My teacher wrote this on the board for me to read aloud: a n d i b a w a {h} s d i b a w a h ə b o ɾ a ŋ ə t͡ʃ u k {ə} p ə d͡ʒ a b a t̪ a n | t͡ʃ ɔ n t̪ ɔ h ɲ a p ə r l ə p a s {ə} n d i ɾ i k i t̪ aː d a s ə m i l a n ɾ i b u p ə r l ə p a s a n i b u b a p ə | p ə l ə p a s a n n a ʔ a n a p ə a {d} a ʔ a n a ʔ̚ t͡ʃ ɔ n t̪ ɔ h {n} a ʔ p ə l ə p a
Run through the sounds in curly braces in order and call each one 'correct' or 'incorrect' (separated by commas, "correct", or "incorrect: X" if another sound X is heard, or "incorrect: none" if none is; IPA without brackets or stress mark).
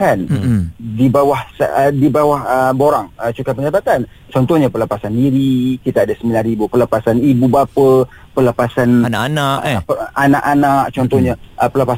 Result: correct, incorrect: a, incorrect: a, incorrect: n, incorrect: ɲ